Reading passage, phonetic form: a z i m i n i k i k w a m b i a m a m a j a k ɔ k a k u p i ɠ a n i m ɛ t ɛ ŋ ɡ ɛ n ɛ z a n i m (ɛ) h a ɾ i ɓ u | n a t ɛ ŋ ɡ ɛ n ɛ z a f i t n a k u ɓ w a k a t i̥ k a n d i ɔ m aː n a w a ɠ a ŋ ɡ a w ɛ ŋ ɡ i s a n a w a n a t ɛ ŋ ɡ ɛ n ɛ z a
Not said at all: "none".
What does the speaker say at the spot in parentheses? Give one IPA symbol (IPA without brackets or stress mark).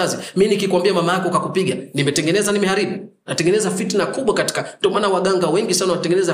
ɛ